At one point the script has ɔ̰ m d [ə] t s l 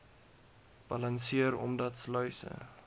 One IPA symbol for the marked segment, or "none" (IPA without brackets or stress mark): ɐ